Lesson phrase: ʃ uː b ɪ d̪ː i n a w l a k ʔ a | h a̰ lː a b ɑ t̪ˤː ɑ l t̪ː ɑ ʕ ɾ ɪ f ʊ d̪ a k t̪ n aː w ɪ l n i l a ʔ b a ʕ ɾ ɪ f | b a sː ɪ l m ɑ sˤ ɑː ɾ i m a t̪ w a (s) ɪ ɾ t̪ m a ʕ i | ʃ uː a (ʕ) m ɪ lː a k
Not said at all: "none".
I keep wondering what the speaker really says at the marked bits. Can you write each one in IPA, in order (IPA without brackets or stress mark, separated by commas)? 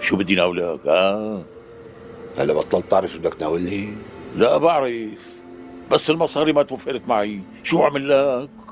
f, ʕ